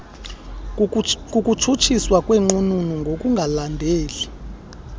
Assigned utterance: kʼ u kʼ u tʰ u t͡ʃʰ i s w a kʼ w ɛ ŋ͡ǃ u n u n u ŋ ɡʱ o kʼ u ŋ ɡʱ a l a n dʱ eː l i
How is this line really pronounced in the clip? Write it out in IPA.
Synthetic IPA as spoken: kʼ u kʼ u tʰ u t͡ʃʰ i s w a kʼ w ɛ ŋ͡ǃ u n u n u ŋ ɡʱ o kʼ u ŋ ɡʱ a l a n dʱ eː l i